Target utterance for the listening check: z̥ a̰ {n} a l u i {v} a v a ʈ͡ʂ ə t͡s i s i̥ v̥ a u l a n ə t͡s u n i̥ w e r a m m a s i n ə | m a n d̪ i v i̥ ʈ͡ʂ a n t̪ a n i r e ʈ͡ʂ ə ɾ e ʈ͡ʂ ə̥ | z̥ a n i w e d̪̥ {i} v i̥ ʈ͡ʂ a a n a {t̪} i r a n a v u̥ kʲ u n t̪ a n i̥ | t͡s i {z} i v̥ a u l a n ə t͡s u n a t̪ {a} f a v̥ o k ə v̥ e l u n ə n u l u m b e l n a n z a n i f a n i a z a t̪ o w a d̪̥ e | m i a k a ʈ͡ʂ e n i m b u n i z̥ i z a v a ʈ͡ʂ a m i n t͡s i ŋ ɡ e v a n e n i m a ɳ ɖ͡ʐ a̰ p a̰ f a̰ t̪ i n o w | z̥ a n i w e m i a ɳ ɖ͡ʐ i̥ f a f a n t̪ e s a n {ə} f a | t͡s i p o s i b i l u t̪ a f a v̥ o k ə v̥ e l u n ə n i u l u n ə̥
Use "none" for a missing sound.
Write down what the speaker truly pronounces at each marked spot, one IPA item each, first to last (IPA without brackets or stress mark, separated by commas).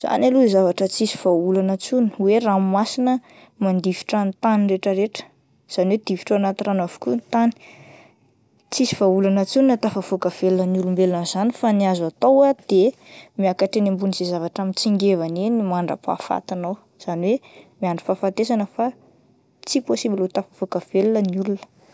n, z, i, t̪, s, a, ə